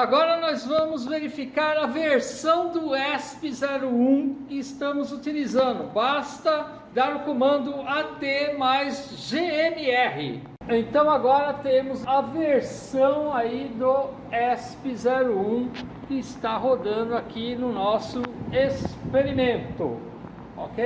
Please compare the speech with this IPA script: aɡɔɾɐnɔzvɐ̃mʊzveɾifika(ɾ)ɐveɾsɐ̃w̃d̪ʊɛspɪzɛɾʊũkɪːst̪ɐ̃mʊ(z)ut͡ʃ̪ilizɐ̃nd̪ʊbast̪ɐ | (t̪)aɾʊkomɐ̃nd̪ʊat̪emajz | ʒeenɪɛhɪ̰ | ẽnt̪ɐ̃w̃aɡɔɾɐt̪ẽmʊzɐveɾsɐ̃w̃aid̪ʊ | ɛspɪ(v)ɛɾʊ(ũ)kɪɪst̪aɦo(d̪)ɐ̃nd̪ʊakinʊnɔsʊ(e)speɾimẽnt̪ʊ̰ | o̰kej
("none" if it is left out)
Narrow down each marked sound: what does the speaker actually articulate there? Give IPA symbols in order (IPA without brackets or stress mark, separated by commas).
ɾ, z, d̪, z, ũ, d̪, e